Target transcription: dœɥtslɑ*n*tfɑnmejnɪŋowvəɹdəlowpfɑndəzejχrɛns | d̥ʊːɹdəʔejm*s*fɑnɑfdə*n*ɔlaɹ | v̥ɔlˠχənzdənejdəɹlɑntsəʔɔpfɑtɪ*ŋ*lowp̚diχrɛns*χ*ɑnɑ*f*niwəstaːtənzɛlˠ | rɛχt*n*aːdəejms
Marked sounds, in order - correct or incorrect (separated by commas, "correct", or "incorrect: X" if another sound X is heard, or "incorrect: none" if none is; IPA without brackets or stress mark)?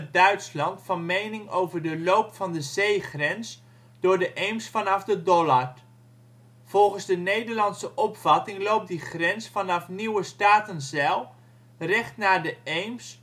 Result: correct, correct, incorrect: d, correct, incorrect: f, correct, correct